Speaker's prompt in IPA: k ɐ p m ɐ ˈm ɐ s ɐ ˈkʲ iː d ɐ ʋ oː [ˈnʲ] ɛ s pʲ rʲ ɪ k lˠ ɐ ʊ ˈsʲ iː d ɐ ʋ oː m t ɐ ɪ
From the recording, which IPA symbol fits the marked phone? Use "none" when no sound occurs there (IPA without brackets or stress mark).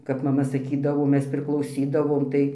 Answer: mʲ